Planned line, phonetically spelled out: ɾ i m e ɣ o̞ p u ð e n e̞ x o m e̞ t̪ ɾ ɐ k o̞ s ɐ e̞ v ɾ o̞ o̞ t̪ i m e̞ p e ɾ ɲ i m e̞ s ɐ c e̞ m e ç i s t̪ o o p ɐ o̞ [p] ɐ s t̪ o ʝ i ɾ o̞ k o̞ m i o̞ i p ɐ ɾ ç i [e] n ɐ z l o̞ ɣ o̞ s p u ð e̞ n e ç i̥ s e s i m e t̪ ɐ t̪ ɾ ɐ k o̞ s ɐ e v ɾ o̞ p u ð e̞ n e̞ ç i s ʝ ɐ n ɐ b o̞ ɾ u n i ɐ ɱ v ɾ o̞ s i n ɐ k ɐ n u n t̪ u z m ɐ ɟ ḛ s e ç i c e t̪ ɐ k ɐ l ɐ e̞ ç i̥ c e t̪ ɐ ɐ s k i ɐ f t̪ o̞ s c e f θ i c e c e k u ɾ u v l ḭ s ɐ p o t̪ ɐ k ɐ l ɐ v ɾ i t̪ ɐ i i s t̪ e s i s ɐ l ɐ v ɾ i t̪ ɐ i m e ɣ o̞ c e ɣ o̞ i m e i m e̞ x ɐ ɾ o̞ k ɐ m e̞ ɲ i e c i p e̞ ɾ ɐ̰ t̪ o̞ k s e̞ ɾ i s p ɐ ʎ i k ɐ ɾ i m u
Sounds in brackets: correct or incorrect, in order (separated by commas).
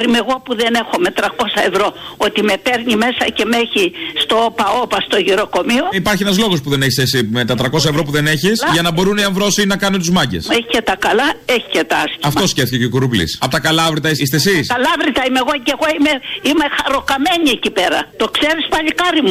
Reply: correct, correct